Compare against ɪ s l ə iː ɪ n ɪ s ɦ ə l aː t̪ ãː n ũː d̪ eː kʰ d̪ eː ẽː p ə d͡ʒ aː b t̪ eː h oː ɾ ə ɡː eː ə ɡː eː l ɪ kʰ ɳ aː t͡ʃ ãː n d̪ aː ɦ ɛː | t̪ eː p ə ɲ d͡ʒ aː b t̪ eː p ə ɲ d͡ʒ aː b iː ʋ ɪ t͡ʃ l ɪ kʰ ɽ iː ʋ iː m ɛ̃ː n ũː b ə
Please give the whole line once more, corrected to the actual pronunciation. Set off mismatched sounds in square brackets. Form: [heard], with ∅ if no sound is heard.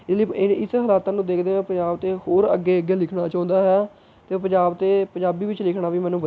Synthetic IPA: ɪ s l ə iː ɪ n ɪ s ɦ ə l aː t̪ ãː n ũː d̪ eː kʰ d̪ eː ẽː p ə d͡ʒ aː b t̪ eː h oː ɾ ə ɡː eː ə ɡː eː l ɪ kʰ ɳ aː t͡ʃ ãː n d̪ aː ɦ ɛː | t̪ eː p ə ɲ d͡ʒ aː b t̪ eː p ə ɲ d͡ʒ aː b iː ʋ ɪ t͡ʃ l ɪ kʰ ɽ [aː] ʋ iː m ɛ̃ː n ũː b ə